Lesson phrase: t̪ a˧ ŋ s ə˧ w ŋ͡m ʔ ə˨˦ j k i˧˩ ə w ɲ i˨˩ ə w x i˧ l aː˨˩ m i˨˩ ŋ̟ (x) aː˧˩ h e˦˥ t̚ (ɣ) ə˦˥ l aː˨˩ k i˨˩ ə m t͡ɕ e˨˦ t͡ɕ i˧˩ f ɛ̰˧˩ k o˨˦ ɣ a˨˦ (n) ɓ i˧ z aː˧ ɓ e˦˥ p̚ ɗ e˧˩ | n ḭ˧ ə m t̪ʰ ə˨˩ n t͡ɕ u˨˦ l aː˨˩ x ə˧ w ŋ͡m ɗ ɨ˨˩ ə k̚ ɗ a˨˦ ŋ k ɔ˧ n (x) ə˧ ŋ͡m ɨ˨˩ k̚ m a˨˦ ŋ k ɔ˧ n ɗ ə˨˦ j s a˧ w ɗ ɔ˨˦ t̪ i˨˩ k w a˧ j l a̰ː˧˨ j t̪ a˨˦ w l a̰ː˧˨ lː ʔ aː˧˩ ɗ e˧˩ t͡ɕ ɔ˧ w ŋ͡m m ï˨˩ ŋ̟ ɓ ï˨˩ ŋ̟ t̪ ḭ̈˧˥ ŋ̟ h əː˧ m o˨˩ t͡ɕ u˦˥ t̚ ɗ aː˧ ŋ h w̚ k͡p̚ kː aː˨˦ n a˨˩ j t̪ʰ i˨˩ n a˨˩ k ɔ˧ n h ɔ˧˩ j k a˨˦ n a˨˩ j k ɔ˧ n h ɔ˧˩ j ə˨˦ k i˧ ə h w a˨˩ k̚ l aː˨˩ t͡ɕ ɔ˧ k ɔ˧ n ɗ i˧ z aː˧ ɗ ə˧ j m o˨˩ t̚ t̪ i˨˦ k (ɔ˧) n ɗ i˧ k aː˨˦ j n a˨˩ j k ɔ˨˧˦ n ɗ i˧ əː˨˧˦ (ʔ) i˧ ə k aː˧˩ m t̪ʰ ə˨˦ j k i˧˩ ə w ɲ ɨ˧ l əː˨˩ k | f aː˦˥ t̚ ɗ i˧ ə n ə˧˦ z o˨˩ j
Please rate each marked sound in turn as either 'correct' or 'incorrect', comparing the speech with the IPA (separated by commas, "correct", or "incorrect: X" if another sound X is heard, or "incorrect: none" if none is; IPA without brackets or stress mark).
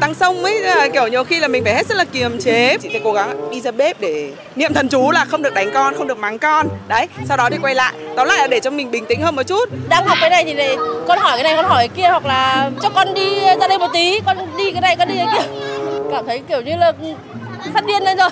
incorrect: f, incorrect: z, incorrect: ŋ, correct, correct, incorrect: k